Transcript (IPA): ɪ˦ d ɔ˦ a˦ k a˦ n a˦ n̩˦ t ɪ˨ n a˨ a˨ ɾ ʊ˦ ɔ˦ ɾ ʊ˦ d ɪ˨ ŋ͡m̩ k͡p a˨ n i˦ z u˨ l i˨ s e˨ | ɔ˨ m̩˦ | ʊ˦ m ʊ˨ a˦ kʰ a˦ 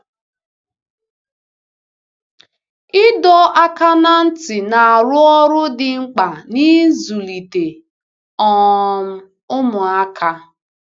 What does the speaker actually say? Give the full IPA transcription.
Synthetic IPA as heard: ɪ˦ d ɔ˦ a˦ k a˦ n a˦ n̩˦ t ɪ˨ n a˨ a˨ ɾ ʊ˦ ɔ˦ ɾ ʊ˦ d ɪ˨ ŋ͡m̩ k͡p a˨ n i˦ z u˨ l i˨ t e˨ | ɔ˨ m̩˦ | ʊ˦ m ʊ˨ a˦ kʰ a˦

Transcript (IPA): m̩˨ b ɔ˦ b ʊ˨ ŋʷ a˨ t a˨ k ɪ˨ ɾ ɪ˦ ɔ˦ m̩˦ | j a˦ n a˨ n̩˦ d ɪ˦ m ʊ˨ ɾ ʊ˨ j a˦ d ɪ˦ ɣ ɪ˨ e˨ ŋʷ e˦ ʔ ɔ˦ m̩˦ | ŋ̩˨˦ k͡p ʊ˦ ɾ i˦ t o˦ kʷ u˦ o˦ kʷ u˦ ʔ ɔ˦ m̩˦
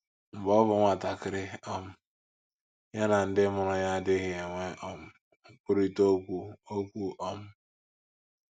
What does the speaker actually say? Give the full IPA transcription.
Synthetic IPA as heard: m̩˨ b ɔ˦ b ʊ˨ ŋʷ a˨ t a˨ k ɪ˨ ɾ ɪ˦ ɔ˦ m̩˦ | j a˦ n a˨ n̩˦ d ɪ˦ m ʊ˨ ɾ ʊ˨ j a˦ d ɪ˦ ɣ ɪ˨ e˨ ŋʷ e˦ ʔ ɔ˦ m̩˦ | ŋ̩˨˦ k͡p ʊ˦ ɾ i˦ t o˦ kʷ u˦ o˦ kʷ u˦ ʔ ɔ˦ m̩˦

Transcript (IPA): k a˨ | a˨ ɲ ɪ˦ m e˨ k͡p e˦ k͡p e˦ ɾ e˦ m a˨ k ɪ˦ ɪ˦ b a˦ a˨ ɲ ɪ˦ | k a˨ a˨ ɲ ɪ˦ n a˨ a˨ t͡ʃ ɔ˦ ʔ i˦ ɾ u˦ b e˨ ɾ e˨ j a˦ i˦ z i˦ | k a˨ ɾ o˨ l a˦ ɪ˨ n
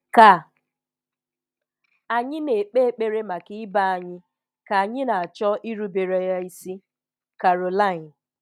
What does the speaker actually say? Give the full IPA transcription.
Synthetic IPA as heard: k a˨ | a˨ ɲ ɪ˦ n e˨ k͡p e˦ k͡p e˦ ɾ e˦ m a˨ k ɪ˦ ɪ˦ b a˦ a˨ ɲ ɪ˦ | k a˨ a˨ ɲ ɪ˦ n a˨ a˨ t͡ʃ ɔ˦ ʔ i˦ ɾ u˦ b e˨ ɾ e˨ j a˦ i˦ s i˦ | k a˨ ɾ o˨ l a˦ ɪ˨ n

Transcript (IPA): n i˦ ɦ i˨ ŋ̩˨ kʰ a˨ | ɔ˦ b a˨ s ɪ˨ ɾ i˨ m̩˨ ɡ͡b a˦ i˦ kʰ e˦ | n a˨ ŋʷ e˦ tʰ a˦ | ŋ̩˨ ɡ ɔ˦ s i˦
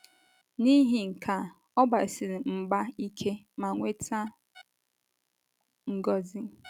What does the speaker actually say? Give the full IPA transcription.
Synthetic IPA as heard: n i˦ ɦ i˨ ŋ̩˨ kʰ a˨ | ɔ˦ b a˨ s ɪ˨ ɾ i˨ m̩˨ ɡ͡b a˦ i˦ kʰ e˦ | m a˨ ŋʷ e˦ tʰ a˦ | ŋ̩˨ ɡ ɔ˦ z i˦

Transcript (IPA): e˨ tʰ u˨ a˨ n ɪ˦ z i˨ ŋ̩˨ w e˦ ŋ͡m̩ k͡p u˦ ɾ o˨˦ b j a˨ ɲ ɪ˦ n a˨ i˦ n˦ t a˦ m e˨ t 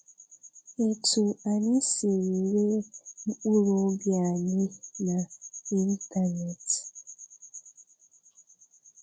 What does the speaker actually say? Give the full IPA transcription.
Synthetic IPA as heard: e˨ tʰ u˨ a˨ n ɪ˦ s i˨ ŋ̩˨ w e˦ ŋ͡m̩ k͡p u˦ ɾ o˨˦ b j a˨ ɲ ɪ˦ n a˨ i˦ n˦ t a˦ n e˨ t

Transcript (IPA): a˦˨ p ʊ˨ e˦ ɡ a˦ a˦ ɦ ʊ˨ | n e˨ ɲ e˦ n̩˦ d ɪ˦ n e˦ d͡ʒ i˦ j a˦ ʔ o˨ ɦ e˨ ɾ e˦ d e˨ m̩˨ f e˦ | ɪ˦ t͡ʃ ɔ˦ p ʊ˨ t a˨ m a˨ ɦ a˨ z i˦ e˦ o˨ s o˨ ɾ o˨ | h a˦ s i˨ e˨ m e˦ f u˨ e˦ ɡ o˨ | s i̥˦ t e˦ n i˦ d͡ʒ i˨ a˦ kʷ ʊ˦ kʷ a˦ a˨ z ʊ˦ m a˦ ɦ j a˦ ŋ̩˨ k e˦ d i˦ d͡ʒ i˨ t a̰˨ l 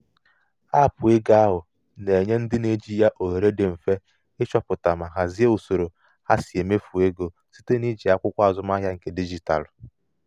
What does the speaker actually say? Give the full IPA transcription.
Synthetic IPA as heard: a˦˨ p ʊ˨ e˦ ɡ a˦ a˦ ɦ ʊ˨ | n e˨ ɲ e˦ n̩˦ d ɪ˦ n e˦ d͡ʒ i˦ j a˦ ʔ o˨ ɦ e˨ ɾ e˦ d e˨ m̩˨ f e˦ | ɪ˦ t͡ʃ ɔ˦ p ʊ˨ t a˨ m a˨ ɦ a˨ z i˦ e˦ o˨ s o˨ ɾ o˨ | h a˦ s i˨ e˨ m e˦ f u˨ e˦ ɡ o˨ | s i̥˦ t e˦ n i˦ d͡ʒ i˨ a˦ kʷ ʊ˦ kʷ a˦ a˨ z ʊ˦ m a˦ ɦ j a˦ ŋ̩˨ k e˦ d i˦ d͡ʒ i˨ t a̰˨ l

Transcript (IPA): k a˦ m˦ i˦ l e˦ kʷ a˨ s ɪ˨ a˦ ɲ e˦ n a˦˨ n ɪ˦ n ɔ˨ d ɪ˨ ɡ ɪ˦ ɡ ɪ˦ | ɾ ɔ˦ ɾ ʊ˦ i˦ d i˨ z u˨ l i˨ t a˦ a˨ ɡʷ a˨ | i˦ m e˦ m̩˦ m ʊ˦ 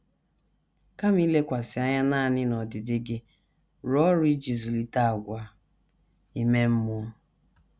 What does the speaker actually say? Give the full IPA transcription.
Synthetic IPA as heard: k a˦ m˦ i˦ l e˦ kʷ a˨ s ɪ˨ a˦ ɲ a˦ n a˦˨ n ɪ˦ n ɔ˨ d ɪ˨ d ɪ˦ ɡ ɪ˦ | ɾ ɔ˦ ɾ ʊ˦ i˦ d͡ʒ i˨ z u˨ l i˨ t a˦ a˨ ɡʷ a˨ | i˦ m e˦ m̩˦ m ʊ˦

